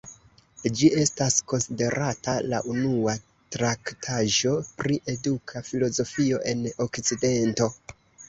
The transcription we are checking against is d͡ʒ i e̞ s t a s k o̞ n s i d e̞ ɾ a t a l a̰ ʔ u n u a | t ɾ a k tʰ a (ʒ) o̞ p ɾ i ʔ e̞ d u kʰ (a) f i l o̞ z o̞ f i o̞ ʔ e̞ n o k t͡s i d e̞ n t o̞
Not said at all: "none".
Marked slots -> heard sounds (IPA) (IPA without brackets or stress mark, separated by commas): ʒ, a